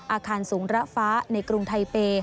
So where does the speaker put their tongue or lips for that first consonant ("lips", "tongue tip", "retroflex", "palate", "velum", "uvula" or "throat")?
throat